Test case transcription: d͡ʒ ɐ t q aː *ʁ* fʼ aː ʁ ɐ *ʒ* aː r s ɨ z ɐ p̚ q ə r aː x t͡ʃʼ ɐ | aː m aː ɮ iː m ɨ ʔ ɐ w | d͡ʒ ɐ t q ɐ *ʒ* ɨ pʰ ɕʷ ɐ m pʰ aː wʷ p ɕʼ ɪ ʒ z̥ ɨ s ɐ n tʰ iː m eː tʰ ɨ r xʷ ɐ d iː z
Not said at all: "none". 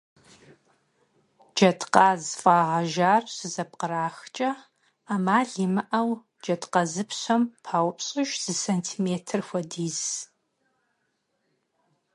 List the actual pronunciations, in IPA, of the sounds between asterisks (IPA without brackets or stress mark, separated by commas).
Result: z, ʒ, z